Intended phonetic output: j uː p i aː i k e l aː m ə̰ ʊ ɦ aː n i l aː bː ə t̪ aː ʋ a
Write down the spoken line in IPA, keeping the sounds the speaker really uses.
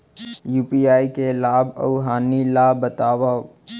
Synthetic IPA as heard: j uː p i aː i k e l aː b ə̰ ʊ ɦ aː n i l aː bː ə t̪ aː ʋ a